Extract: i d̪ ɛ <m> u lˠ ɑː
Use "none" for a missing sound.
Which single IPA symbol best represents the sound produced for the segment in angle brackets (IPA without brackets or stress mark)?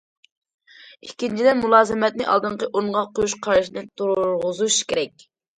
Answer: m